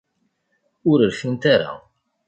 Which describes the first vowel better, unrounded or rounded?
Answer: rounded